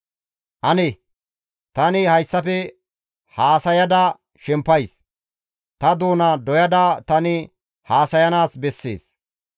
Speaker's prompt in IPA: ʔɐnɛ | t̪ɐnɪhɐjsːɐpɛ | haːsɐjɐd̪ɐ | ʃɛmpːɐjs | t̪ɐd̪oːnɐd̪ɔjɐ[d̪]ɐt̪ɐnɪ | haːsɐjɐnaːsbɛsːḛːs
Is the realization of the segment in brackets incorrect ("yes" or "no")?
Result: no